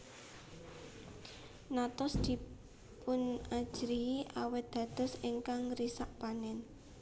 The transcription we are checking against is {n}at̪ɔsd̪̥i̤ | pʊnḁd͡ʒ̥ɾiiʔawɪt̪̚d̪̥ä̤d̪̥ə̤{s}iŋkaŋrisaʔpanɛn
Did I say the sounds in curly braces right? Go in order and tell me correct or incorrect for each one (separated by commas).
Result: correct, correct